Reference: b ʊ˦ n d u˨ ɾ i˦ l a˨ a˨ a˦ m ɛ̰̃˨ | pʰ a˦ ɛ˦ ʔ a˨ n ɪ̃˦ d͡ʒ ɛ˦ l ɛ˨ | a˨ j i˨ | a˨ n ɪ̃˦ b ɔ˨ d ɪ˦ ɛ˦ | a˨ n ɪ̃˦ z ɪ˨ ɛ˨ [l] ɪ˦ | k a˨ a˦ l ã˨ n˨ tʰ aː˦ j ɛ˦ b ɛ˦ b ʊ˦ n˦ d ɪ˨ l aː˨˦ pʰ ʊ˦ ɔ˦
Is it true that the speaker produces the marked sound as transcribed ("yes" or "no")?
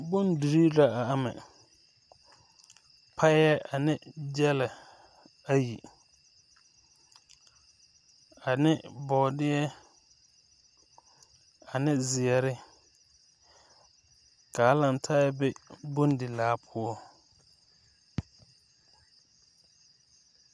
no